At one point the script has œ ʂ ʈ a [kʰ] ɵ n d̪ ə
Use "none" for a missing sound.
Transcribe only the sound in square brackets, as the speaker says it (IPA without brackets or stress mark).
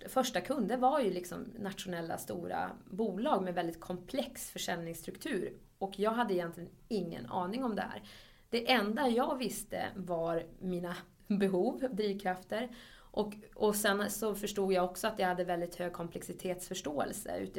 kʰ